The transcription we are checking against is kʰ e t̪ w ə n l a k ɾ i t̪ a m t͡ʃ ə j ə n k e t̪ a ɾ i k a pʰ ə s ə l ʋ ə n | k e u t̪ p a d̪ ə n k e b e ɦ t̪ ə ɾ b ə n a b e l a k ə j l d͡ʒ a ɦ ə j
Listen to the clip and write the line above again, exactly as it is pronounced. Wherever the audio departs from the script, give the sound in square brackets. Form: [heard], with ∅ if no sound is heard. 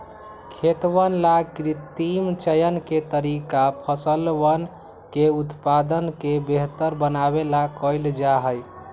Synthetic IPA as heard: kʰ e t̪ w ə n l a k ɾ i t̪ [i] m t͡ʃ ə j ə n k e t̪ [ə] ɾ i k a pʰ ə s ə l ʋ ə n | k e u t̪ p a d̪ ə n k e b e ɦ t̪ ə ɾ b ə n a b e l a k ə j l d͡ʒ a ɦ ə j